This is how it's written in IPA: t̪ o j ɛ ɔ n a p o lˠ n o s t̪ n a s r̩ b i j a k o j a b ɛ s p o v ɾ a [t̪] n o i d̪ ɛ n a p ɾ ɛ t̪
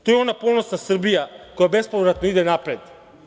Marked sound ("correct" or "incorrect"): correct